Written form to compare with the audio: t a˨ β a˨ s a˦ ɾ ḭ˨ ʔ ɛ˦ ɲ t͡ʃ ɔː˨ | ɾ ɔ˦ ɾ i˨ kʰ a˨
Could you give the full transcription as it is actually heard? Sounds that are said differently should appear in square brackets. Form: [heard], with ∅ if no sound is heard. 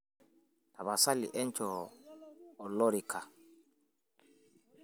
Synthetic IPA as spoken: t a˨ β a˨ s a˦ [l] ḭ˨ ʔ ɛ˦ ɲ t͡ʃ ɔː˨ | [l] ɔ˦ ɾ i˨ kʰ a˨